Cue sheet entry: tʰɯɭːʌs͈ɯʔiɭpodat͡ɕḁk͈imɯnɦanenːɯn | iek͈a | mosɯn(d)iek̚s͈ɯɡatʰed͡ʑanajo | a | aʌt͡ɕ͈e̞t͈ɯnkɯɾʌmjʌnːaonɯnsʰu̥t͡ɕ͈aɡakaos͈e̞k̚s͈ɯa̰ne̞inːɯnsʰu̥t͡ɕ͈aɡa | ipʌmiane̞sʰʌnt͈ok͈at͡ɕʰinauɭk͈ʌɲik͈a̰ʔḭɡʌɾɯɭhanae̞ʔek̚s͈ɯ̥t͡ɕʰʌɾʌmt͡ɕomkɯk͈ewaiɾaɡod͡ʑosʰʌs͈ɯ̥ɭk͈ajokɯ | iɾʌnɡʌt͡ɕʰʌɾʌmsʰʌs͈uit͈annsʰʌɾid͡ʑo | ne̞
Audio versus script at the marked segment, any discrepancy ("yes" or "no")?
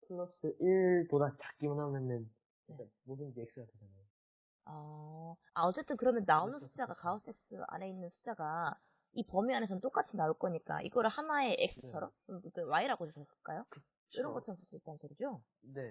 yes